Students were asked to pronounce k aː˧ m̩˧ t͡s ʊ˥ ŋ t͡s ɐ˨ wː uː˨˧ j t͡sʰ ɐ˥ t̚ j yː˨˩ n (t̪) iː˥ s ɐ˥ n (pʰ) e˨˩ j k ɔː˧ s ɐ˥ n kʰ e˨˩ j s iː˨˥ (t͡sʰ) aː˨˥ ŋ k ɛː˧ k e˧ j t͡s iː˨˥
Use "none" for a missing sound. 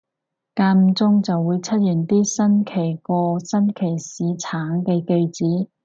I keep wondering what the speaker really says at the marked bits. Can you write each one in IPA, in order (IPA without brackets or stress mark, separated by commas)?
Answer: t̪, kʰ, t͡sʰ